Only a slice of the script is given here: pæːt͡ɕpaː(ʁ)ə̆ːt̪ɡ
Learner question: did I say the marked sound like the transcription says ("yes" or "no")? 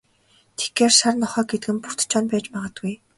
yes